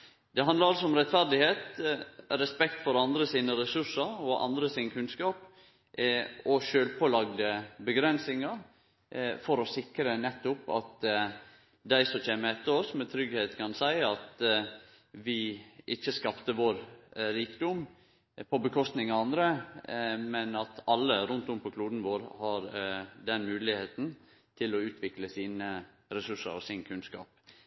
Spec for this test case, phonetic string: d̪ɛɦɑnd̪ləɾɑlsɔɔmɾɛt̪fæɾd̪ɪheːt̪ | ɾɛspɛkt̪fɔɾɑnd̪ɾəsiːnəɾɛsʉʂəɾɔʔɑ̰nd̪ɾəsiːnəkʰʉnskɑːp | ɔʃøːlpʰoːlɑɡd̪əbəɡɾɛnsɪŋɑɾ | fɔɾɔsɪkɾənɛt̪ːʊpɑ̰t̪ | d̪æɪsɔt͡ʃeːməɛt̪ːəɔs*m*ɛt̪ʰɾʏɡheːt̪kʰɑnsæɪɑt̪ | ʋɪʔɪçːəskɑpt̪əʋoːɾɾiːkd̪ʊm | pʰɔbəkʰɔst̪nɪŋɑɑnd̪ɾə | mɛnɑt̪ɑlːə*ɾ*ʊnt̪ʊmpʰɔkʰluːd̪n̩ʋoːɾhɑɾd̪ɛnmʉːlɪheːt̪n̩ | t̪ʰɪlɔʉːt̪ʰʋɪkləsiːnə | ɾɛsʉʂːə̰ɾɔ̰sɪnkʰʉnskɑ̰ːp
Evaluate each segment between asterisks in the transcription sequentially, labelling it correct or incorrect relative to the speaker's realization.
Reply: correct, correct

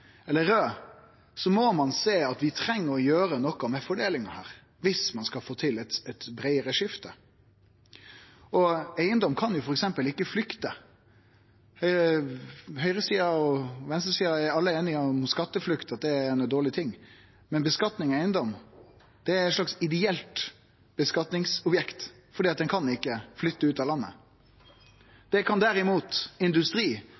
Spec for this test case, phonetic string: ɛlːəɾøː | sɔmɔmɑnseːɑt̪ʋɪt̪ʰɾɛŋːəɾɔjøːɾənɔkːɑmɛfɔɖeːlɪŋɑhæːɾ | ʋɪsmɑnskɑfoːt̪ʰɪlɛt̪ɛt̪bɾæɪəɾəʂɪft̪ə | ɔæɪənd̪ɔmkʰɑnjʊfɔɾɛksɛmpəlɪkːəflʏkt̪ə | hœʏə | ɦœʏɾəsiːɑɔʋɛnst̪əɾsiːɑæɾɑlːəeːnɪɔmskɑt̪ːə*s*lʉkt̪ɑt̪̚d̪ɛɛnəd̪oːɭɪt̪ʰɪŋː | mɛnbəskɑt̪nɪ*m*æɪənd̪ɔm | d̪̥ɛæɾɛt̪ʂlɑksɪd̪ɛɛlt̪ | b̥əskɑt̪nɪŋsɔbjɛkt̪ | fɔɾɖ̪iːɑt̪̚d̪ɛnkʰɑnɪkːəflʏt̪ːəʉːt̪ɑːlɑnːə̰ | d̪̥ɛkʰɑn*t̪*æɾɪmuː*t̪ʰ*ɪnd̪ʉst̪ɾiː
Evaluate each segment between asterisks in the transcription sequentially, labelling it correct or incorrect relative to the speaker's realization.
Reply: incorrect, incorrect, incorrect, incorrect

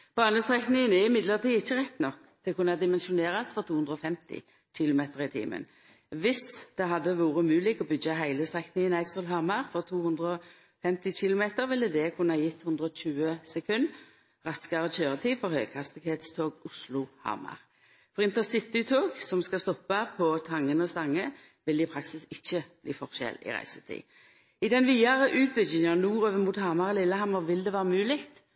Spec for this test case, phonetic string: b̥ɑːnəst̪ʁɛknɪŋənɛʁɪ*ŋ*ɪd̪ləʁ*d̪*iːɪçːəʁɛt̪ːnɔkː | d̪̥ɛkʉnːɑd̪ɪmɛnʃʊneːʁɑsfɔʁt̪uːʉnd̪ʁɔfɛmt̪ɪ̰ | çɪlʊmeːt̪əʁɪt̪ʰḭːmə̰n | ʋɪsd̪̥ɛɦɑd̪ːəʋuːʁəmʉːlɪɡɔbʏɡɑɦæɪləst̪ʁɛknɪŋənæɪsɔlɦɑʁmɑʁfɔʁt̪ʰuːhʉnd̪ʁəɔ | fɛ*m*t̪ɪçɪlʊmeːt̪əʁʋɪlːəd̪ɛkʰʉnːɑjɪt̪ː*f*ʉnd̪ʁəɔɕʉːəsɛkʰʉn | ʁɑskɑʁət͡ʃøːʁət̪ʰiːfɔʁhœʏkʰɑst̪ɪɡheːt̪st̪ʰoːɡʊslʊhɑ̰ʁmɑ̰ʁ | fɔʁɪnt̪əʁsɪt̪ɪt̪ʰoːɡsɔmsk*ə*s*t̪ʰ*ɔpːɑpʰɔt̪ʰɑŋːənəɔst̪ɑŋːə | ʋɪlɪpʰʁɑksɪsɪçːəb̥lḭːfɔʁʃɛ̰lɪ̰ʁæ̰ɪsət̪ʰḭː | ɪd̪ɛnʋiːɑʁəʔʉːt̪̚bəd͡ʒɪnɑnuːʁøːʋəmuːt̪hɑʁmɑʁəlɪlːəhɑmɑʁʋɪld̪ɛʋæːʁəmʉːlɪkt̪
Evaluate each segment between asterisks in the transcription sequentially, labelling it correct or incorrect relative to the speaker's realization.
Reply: incorrect, incorrect, correct, incorrect, incorrect, incorrect

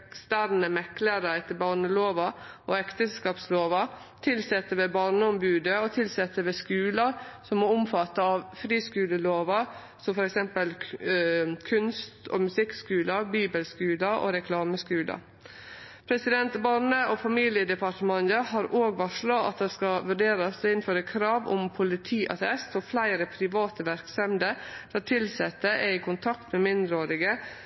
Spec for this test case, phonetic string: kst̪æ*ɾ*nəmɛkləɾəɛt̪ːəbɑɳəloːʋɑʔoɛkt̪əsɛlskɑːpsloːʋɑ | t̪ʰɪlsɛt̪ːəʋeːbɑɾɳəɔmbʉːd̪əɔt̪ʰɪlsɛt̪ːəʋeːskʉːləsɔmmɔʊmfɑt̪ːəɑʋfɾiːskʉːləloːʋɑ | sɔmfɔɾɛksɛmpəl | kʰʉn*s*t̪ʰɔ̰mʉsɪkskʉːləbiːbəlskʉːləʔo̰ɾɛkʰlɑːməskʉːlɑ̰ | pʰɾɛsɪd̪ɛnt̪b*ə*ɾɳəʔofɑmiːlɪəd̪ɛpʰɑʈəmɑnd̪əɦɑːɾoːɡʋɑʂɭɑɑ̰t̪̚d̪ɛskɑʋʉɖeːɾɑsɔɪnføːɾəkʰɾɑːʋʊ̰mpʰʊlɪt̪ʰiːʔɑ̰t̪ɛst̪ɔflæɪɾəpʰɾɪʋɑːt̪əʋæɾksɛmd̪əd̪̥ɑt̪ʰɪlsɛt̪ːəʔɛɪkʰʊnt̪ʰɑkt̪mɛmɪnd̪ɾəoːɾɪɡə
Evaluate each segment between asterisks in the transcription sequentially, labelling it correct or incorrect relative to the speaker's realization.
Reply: correct, correct, incorrect

